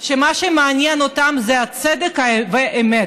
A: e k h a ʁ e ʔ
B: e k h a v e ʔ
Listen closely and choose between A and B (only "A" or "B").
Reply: B